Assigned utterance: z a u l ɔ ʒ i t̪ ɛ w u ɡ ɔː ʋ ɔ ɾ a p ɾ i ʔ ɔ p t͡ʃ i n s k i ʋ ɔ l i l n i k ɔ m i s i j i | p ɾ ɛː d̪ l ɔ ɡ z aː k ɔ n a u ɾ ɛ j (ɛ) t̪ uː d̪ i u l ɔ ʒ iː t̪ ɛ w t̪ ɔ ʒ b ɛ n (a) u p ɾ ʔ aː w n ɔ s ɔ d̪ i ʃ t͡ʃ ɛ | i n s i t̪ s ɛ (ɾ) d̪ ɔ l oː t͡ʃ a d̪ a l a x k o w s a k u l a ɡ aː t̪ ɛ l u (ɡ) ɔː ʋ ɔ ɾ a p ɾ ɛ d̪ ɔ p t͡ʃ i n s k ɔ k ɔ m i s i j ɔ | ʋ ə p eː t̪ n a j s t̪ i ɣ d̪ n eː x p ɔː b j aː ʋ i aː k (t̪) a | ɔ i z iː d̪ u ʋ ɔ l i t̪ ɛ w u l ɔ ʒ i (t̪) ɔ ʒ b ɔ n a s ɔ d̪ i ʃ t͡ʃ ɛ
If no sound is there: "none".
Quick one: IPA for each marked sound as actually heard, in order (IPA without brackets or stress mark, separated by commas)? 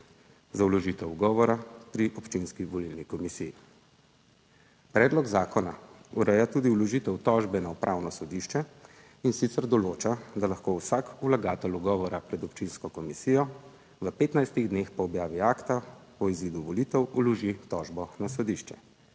a, a, ɾ, ɡ, t̪, t̪